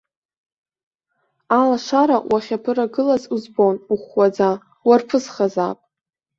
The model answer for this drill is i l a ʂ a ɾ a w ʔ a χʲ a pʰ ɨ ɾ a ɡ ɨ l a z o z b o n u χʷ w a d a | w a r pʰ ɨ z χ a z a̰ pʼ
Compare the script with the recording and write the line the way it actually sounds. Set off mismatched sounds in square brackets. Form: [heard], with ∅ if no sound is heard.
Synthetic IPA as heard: [a] l a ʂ a ɾ a w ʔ a χʲ a pʰ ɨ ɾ a ɡ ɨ l a z [u] z b o n u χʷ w a [d͡z] a | w a r pʰ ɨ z χ a z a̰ pʼ